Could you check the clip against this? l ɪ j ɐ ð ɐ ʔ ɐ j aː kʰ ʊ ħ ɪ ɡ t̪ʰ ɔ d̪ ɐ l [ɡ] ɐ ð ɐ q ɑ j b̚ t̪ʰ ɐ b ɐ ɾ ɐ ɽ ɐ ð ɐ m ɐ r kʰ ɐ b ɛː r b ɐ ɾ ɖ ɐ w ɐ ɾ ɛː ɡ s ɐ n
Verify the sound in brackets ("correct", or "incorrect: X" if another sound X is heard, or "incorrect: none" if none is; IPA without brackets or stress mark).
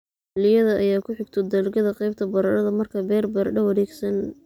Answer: correct